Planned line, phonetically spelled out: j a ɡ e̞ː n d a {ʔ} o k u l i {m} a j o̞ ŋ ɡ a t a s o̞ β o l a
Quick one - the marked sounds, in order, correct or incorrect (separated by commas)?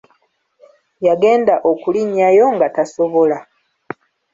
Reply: correct, incorrect